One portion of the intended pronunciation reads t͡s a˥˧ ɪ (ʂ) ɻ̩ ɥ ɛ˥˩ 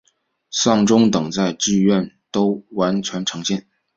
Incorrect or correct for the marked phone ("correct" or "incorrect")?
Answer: incorrect